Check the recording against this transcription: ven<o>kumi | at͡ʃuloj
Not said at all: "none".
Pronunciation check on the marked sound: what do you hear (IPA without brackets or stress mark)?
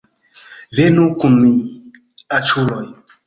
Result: u